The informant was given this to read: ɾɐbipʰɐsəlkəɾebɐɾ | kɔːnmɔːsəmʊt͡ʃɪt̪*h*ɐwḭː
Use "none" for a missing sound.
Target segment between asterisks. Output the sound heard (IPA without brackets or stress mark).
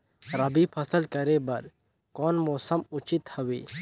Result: h